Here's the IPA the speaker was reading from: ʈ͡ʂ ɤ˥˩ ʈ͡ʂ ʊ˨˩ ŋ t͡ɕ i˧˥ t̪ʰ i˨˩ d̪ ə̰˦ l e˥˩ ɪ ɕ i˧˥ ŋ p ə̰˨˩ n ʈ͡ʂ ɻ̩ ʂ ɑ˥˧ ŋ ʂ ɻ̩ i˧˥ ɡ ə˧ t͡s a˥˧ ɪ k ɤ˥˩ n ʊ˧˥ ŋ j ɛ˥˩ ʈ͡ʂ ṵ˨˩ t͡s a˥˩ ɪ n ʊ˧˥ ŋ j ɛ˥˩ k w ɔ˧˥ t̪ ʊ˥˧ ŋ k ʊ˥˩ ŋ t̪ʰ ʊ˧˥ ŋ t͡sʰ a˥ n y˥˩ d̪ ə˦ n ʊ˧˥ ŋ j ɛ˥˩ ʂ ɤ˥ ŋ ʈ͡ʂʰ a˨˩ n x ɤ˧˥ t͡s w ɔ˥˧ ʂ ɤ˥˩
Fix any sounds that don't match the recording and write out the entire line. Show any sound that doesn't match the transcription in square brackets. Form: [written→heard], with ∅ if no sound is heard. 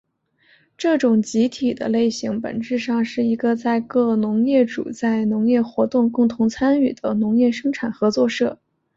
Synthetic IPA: ʈ͡ʂ ɤ˥˩ ʈ͡ʂ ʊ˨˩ ŋ t͡ɕ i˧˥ t̪ʰ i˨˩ d̪ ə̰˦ l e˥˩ ɪ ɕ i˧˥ ŋ p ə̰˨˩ n ʈ͡ʂ ɻ̩ ʂ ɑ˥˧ ŋ ʂ ɻ̩ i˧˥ ɡ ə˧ t͡s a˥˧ ɪ k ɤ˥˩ n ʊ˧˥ ŋ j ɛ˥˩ ʈ͡ʂ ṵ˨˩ t͡s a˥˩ ɪ n ʊ˧˥ ŋ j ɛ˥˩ [k→x] w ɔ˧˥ t̪ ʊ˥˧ ŋ k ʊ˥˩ ŋ t̪ʰ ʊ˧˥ ŋ t͡sʰ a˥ n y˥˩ d̪ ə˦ n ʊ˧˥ ŋ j ɛ˥˩ ʂ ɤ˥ ŋ ʈ͡ʂʰ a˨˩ n x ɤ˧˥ t͡s w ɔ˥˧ ʂ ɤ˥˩